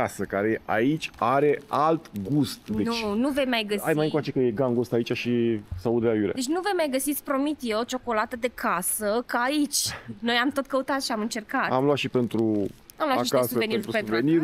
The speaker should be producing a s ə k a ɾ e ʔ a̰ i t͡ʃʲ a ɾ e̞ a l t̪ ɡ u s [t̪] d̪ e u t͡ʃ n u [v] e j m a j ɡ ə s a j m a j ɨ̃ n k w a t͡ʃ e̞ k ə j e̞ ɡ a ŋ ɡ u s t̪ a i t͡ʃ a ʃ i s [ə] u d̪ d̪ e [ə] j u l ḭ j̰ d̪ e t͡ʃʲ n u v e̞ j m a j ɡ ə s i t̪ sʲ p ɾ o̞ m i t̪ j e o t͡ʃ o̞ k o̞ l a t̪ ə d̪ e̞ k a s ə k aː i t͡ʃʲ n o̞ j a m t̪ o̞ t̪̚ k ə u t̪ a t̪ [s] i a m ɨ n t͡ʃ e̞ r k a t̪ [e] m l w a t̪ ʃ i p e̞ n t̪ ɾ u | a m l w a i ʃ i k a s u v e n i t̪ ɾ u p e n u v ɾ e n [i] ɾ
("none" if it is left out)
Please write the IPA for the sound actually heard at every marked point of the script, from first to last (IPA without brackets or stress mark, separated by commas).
t̪, v, a, a, ʃ, a, i